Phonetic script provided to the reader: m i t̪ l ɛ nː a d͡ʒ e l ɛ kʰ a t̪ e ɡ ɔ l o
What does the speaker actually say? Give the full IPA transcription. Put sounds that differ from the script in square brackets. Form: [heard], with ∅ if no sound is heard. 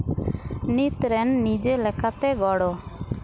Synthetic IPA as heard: [n] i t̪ [ɾ] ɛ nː [i] d͡ʒ e l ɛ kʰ a t̪ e ɡ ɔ [ɽ] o